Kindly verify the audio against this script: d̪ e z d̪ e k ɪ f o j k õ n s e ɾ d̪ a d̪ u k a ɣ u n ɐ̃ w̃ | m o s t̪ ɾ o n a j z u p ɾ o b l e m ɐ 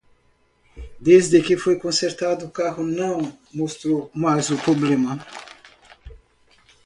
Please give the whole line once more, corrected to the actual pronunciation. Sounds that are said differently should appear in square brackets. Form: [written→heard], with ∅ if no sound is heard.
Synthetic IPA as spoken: d̪ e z d̪ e k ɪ f o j k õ n s e ɾ [d̪→t̪] a d̪ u k a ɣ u n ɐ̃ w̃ | m o s t̪ ɾ o [n→m] a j z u p ɾ o b l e m ɐ